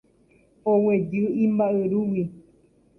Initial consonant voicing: voiced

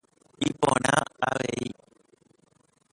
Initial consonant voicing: voiceless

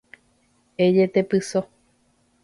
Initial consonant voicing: voiced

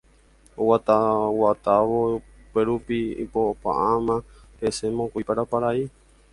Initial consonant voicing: voiced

